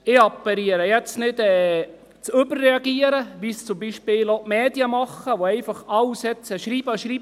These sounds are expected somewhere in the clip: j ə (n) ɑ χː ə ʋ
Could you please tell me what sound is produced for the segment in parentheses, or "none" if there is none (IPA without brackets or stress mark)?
m